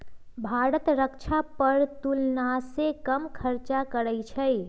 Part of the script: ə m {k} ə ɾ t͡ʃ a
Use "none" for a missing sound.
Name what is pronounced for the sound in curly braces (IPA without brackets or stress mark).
kʰ